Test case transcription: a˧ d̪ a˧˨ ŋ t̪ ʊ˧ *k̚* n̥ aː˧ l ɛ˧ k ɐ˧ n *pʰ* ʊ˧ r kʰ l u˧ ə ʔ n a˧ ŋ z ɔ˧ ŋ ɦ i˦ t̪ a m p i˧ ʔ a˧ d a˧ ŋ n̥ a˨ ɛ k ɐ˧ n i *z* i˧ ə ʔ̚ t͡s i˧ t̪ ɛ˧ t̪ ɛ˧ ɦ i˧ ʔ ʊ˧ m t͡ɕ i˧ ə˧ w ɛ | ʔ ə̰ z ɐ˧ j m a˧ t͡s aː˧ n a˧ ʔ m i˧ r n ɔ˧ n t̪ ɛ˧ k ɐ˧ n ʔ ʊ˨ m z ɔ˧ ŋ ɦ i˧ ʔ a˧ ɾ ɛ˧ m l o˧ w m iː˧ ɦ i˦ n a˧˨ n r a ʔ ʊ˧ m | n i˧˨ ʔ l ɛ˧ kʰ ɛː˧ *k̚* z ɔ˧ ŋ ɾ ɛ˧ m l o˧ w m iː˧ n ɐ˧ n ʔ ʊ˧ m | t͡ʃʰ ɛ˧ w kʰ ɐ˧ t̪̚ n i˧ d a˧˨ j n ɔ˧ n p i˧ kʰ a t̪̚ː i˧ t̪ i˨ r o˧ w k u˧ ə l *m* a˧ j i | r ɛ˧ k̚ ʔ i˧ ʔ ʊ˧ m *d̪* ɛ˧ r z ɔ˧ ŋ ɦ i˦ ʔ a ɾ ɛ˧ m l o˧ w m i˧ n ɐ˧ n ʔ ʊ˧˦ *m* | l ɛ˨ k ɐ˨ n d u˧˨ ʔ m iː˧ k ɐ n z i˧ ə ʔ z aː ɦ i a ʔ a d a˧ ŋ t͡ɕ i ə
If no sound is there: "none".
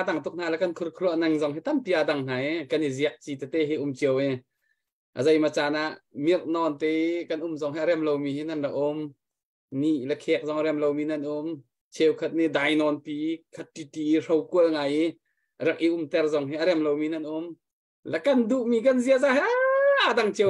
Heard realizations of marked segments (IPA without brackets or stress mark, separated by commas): k̚, kʰ, z, k̚, ŋ, t̪, m